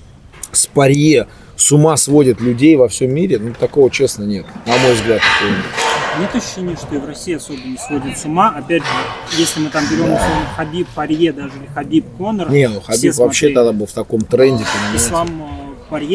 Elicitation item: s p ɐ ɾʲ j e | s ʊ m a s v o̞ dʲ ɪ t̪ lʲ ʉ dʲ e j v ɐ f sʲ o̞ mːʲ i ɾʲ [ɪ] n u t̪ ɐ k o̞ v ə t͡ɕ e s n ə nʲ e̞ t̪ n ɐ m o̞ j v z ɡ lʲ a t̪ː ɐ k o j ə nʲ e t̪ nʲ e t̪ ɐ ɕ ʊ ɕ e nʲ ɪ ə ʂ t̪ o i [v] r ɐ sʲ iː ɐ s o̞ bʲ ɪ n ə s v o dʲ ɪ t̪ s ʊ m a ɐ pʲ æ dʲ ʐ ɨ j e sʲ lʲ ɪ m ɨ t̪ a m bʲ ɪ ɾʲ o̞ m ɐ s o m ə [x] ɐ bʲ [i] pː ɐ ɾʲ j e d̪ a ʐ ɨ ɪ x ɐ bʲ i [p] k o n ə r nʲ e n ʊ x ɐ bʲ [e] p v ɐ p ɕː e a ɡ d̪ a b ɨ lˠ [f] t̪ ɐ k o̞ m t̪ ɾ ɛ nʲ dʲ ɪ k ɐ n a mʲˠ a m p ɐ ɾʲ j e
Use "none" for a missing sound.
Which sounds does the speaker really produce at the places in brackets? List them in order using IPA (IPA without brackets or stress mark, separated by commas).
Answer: ɪ, v, x, i, p, i, f